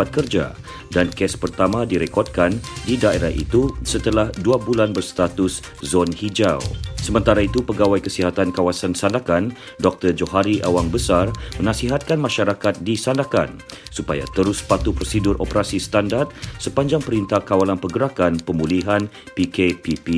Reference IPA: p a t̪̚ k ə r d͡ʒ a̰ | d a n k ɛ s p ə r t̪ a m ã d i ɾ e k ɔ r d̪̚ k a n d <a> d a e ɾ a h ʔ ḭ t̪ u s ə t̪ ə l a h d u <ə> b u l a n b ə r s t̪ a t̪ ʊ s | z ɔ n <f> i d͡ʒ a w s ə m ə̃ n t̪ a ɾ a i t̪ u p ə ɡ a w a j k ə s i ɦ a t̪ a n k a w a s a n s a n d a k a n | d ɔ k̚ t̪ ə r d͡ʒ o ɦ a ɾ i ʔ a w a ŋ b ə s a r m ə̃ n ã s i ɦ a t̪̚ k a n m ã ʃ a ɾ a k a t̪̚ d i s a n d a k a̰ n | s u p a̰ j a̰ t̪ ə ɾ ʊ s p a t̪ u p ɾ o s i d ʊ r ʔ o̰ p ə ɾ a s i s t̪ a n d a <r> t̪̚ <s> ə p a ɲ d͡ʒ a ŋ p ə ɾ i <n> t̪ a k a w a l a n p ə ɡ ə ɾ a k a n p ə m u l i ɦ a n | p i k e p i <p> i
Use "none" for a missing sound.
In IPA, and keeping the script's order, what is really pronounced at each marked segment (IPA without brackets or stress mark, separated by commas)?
i, a, h, r, s, n, p